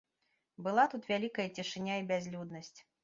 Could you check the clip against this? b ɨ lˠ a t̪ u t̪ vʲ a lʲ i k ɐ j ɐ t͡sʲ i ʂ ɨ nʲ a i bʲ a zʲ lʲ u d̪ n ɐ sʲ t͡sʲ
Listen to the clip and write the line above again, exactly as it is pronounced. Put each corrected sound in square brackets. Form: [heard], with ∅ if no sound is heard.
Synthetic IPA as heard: b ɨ lˠ a t̪ u t̪ vʲ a lʲ i k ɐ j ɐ t͡sʲ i ʂ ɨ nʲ a i bʲ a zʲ lʲ u d̪ n ɐ sʲ t͡sʲ

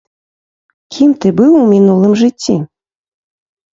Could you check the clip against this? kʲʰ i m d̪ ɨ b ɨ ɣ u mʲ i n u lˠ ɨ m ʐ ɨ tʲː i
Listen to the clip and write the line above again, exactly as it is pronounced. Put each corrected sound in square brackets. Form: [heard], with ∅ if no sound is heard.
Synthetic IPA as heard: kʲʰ i m [t̪] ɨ b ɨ [w] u mʲ i n u lˠ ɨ m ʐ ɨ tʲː i

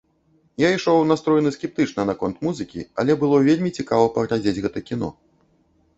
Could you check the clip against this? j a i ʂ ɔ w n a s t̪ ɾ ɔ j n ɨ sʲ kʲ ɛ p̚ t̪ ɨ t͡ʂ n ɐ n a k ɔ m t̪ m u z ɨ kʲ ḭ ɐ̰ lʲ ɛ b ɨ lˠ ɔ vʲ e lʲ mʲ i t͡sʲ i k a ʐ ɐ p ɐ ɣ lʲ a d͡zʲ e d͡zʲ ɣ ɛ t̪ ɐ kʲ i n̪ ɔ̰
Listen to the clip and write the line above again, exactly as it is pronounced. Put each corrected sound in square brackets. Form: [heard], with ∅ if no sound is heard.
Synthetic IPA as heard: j a i ʂ ɔ w n a s t̪ ɾ ɔ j n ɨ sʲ kʲ ɛ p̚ t̪ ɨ t͡ʂ n ɐ n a k ɔ [n] t̪ m u z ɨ kʲ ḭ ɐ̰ lʲ ɛ b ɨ lˠ ɔ vʲ e lʲ mʲ i t͡sʲ i k a [v] ɐ p ɐ ɣ lʲ a d͡zʲ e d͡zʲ ɣ ɛ t̪ ɐ kʲ i n̪ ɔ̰

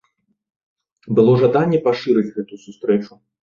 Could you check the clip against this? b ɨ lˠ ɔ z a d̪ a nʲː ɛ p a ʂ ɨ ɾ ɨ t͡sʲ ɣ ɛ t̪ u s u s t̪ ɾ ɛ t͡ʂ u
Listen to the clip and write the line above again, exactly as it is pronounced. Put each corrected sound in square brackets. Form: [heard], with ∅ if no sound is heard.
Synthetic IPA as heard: b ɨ lˠ ɔ [ʐ] a d̪ a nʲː ɛ p a ʂ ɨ ɾ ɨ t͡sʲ ɣ ɛ t̪ u s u s t̪ ɾ ɛ t͡ʂ u

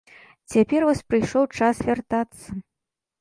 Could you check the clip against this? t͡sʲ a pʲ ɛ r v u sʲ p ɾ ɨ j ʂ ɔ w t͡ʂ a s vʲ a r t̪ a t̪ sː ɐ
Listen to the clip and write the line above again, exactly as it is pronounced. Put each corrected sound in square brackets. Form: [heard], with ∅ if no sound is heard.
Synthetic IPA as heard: t͡sʲ a pʲ ɛ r v [ɔ] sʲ p ɾ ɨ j ʂ ɔ w t͡ʂ a s vʲ a r t̪ a t̪ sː ɐ

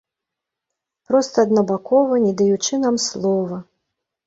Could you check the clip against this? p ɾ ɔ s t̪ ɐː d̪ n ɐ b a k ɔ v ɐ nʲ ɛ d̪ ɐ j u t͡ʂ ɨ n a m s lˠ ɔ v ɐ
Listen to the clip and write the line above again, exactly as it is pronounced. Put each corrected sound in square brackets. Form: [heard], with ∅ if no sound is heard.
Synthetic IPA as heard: p ɾ ɔ s t̪ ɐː d̪ n ɐ b a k ɔ v ɐ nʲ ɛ d̪ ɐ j u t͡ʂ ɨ n a m s lˠ ɔ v ɐ

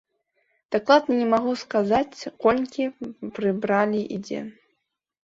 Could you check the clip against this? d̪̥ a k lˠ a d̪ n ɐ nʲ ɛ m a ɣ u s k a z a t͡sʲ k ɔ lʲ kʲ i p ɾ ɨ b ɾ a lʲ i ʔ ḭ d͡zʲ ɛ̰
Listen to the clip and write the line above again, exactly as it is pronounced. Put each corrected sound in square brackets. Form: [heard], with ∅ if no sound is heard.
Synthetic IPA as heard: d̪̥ a k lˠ a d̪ n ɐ nʲ ɛ m a ɣ u s k a z a t͡sʲ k ɔ lʲ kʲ i p ɾ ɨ b ɾ a lʲ i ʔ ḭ d͡zʲ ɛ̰

